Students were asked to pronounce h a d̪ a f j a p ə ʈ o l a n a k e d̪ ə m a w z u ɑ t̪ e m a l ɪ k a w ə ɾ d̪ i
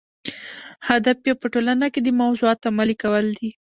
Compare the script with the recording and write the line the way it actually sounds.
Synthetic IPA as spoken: h a d̪ a f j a p ə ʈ o l a n a k e d̪ ə m a w z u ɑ t̪ a m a l i k a w ə l d̪ i